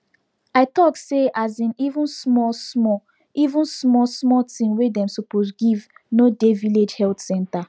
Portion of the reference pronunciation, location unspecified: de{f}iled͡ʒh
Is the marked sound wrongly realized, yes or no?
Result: yes